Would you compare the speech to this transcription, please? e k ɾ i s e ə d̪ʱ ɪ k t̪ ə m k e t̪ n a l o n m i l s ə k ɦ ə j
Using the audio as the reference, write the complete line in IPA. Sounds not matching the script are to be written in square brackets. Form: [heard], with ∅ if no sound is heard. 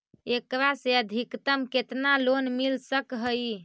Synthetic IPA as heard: e k ɾ [a] s e ə d̪ʱ [i] k t̪ ə m k e t̪ n a l o n m i l s ə k ɦ ə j